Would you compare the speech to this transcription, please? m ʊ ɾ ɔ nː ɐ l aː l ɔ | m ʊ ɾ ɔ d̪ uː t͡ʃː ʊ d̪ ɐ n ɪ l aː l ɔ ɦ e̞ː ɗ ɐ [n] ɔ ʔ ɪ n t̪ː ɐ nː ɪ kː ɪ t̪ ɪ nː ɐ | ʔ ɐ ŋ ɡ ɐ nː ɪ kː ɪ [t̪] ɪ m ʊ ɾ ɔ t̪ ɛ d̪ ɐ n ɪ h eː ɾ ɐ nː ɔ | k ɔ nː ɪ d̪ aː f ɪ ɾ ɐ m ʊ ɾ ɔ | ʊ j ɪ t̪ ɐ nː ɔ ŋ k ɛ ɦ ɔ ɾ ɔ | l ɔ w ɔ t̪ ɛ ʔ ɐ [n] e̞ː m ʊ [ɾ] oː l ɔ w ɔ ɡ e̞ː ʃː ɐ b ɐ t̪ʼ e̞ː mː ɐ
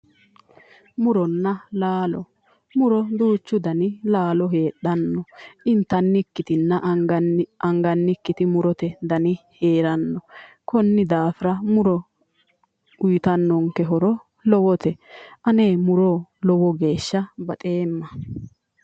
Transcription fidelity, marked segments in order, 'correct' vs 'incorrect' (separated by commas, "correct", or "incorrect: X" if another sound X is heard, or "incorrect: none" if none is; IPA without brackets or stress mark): incorrect: nː, correct, correct, correct